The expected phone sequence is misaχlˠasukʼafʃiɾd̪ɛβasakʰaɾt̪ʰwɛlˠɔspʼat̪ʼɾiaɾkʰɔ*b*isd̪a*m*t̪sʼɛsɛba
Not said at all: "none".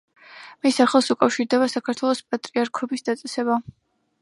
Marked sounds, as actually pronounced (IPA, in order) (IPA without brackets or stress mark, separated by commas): b, none